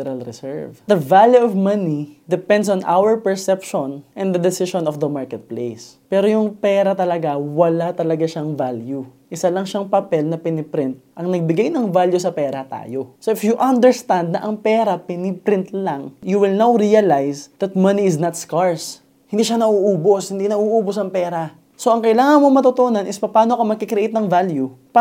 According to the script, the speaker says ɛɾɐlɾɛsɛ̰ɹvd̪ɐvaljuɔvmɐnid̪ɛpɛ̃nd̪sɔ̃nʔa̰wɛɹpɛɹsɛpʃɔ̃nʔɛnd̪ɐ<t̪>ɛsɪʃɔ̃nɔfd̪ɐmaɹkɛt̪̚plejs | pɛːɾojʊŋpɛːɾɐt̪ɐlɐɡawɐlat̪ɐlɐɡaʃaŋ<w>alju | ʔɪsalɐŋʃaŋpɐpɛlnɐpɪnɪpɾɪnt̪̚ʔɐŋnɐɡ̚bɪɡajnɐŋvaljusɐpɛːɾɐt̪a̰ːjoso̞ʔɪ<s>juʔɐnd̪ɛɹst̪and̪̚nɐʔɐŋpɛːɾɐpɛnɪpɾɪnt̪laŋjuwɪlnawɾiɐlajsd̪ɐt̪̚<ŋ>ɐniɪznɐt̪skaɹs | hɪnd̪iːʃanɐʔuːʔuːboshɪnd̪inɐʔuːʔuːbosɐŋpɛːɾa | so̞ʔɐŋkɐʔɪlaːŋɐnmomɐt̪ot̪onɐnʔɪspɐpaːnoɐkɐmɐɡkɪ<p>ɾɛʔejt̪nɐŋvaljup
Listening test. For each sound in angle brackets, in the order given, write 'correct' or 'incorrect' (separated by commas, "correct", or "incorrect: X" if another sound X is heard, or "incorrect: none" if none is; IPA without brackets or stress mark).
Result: incorrect: d̪, incorrect: v, incorrect: f, incorrect: m, incorrect: k